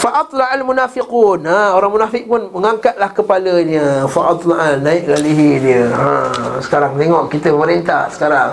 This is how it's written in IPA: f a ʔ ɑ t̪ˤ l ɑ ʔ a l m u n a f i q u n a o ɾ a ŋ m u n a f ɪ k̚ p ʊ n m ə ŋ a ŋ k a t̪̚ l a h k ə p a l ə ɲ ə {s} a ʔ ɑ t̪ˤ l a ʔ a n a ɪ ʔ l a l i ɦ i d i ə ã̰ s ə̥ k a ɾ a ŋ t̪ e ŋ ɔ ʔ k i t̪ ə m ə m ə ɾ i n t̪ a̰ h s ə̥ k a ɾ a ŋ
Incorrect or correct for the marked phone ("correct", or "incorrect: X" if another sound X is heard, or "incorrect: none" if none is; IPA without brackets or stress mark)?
incorrect: f